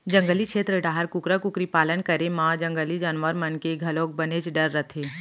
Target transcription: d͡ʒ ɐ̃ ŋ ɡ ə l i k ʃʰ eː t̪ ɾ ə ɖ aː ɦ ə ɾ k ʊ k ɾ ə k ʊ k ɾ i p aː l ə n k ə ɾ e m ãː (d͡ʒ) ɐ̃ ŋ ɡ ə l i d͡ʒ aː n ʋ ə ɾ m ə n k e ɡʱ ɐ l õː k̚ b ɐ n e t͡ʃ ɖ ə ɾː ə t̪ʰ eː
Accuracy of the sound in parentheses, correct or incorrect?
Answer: correct